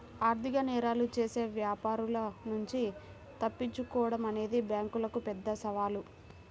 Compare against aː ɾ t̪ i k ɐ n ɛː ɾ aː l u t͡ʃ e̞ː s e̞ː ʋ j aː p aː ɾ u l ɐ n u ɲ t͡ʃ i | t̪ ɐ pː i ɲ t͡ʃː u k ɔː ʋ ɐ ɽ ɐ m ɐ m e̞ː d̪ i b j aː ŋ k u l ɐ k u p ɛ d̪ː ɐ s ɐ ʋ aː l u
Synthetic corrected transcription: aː ɾ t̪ i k ɐ n ɛː ɾ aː l u t͡ʃ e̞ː s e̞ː ʋ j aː p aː ɾ u l ɐ n u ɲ t͡ʃ i | t̪ ɐ pː i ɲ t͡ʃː u k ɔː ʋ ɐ ɽ ɐ m ɐ n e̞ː d̪ i b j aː ŋ k u l ɐ k u p ɛ d̪ː ɐ s ɐ ʋ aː l u